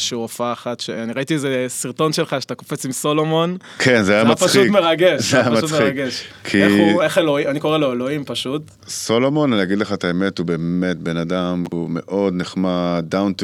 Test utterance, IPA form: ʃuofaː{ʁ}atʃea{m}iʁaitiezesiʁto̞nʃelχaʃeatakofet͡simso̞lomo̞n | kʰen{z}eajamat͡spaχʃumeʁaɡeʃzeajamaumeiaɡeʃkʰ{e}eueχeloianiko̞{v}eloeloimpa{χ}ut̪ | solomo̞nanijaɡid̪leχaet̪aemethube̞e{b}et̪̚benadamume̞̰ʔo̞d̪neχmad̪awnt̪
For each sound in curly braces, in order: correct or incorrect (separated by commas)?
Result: incorrect, incorrect, correct, incorrect, incorrect, incorrect, incorrect